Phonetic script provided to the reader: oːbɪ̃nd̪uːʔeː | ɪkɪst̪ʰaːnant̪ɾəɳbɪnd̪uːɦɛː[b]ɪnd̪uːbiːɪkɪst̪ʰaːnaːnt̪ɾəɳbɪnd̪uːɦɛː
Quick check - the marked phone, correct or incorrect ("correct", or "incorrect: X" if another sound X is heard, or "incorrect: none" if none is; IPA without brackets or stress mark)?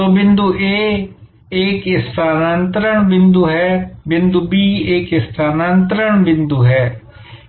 correct